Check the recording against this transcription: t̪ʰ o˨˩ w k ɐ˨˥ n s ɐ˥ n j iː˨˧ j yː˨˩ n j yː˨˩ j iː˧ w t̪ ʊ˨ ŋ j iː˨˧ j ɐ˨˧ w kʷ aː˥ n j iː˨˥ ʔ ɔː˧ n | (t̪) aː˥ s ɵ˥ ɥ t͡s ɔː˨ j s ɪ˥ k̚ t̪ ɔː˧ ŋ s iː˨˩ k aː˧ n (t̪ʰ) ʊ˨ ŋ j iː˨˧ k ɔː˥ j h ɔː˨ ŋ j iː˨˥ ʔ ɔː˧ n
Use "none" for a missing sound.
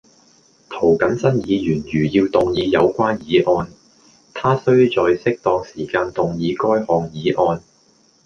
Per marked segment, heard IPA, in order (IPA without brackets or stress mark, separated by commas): t̪ʰ, t̪